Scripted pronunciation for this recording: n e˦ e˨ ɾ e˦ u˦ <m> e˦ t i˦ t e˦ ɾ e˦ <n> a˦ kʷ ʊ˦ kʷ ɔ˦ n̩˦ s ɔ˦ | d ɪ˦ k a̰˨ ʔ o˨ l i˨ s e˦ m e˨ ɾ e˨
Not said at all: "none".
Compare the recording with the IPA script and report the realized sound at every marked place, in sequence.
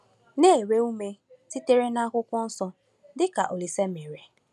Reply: m, n

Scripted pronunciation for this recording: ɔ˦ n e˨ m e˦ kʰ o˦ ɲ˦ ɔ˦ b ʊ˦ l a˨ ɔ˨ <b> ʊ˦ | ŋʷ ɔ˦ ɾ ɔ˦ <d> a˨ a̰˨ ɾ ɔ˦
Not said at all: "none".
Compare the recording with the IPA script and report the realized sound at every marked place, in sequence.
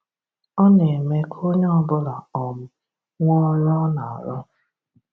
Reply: m, n

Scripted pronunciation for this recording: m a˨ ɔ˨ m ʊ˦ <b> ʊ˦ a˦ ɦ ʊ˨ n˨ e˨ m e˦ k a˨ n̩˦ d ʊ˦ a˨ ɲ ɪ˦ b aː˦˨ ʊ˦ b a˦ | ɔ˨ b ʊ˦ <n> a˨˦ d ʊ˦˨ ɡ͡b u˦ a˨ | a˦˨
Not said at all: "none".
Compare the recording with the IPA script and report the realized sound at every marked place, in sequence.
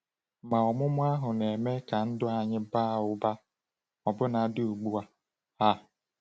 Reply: m, n

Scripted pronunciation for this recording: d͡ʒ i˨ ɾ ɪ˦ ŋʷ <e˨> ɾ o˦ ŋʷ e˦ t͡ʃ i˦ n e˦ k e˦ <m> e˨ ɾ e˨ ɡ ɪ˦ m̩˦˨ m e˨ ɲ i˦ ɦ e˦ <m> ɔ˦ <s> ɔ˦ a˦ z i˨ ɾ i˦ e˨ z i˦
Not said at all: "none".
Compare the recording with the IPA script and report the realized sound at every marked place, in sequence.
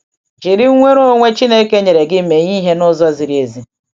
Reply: e˦, ɲ, n, z

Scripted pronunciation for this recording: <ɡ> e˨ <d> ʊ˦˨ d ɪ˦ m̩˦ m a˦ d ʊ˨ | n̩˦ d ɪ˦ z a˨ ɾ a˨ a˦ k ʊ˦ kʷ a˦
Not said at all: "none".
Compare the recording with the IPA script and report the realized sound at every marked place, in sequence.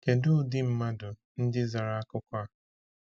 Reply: k, d

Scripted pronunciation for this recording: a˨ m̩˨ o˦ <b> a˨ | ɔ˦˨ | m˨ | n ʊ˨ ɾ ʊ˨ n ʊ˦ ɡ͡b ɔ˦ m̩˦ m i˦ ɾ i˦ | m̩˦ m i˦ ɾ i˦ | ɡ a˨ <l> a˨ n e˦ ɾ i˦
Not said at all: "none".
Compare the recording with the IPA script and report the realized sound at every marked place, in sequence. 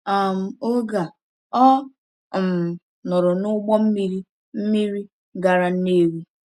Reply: ɡ, ɾ

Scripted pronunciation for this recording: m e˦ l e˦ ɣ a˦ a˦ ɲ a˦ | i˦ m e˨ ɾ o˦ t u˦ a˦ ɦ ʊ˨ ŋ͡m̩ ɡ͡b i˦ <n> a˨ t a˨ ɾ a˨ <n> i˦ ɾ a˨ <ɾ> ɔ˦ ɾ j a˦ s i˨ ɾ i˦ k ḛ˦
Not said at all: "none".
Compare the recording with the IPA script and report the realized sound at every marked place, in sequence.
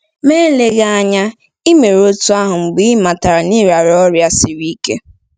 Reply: m, n, ɾ

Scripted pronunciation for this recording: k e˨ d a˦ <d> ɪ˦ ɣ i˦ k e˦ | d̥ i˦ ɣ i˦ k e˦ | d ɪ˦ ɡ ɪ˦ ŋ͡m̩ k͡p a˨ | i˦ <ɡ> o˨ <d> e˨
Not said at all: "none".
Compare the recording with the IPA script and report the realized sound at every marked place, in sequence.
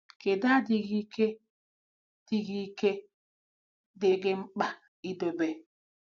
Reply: d, d, b

